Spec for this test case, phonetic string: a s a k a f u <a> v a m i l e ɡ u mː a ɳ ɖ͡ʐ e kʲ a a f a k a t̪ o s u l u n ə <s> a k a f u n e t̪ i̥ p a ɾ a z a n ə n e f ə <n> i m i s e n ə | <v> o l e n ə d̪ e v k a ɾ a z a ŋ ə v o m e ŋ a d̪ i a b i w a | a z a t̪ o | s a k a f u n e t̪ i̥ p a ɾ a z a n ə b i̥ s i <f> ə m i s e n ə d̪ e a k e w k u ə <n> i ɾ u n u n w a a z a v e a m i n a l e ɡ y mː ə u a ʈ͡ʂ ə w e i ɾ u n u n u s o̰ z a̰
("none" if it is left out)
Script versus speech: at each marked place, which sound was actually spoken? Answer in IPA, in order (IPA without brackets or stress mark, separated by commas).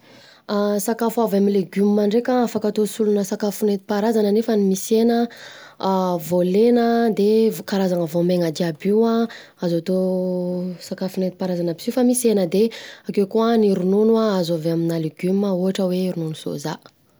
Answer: a, s, n, v, f, n